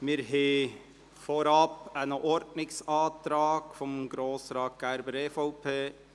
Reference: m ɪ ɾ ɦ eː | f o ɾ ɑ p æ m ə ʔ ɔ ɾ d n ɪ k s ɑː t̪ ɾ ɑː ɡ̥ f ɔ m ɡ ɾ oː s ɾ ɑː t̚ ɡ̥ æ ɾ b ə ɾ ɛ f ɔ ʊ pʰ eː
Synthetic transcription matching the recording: m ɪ ɾ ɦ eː | f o ɾ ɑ p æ n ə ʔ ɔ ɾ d n ɪ k s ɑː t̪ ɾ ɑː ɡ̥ f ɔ m ɡ ɾ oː s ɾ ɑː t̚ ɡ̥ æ ɾ b ə ɾ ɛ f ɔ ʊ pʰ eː